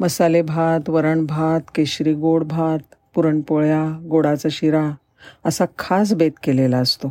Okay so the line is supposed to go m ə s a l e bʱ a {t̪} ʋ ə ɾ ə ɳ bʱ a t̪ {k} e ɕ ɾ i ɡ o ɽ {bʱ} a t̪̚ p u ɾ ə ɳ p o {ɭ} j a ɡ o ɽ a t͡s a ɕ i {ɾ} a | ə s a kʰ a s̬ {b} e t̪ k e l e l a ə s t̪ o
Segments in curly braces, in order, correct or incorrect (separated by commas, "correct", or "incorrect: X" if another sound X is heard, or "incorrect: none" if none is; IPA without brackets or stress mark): correct, correct, correct, correct, correct, correct